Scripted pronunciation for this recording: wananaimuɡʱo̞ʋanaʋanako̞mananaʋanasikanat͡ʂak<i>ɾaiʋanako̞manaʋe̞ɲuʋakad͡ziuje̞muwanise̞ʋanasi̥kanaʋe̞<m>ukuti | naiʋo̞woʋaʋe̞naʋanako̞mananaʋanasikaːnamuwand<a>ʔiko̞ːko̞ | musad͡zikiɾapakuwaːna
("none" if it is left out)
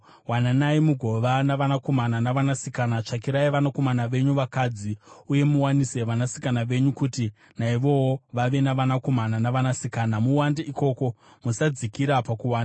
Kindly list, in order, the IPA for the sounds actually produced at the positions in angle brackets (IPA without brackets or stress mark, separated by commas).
i, ɲ, e